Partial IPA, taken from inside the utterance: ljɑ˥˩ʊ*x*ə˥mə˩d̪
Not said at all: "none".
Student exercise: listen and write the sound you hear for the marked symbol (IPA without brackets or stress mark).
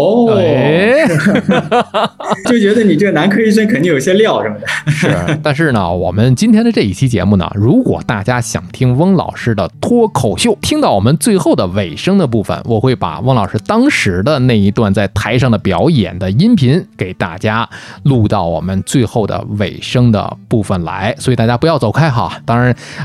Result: ʂ